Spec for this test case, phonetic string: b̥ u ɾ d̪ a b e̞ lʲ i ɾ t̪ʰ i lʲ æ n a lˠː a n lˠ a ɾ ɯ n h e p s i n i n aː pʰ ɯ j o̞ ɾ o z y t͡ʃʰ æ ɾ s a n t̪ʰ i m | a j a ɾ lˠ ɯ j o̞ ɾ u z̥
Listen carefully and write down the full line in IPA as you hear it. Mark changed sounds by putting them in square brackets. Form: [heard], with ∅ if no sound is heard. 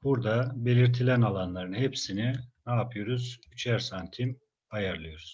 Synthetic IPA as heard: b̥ u ɾ d̪ a b e̞ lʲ i ɾ t̪ʰ i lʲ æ n a [lˠ] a n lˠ a ɾ ɯ n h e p s i n i n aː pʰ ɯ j o̞ ɾ [u] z y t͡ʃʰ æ ɾ s a n t̪ʰ i m | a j a ɾ lˠ ɯ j o̞ ɾ u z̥